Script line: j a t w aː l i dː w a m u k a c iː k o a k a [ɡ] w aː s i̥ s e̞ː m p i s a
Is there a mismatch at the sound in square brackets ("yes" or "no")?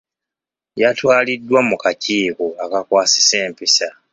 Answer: yes